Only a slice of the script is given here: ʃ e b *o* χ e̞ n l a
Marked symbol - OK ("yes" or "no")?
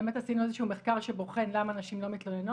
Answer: yes